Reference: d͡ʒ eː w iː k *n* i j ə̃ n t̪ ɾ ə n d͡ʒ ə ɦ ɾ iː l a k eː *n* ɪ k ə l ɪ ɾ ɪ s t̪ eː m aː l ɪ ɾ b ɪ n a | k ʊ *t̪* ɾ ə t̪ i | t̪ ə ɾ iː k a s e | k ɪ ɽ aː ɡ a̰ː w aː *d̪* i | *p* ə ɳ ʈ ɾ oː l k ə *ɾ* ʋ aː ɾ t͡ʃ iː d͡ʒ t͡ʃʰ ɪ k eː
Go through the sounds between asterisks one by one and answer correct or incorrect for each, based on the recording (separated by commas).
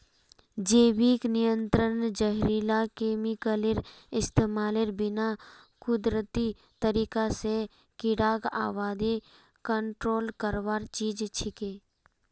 correct, incorrect, incorrect, correct, incorrect, correct